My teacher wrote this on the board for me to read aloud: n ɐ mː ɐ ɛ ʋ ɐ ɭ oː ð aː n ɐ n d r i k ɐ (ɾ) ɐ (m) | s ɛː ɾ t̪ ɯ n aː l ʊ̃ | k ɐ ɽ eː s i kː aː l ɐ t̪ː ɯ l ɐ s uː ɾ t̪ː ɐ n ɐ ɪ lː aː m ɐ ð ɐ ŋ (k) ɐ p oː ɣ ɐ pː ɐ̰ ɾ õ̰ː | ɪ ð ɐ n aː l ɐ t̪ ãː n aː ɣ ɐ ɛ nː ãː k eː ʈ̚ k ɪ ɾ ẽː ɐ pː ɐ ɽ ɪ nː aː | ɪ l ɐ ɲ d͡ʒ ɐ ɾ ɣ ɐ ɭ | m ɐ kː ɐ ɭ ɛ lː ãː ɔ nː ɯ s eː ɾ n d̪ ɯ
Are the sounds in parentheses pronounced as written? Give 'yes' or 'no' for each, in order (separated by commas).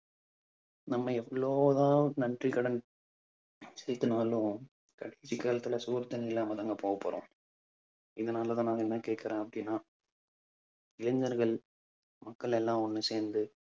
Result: no, no, no